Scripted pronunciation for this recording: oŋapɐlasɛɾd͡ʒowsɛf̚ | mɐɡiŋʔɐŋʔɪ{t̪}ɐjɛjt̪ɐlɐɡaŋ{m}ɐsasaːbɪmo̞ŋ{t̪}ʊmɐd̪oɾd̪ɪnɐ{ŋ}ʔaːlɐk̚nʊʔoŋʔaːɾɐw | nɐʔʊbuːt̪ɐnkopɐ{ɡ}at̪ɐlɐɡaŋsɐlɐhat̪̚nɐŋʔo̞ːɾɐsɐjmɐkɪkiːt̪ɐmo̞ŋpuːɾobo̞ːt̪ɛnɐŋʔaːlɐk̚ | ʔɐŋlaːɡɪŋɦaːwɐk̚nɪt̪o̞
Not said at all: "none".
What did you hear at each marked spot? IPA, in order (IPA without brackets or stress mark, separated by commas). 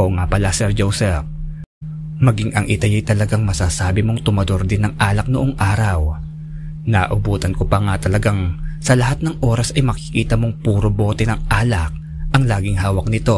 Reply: t̪, m, t̪, ŋ, ŋ